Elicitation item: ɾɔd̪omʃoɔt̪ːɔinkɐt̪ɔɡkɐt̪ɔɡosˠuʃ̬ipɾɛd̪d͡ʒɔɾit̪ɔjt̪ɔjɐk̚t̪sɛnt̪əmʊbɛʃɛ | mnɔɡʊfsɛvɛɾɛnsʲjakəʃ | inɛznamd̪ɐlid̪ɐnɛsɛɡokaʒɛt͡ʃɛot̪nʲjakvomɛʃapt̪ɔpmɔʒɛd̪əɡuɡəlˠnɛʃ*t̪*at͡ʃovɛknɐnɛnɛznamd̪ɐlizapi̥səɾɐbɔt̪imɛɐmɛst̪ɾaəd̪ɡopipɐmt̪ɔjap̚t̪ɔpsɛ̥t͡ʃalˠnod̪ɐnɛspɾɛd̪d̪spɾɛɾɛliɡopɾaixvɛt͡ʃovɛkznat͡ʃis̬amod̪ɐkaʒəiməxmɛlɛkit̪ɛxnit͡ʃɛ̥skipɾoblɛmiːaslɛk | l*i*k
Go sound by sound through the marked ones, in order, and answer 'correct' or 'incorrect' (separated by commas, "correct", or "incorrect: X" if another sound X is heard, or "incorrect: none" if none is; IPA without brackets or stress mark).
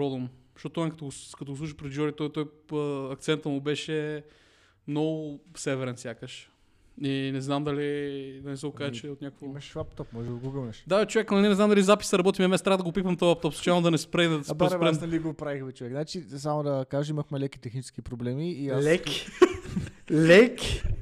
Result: incorrect: d̪, incorrect: ɛ